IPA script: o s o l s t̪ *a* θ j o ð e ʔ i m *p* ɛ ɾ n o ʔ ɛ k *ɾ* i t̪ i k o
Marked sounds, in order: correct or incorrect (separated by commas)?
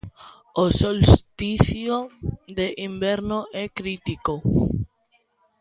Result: incorrect, incorrect, correct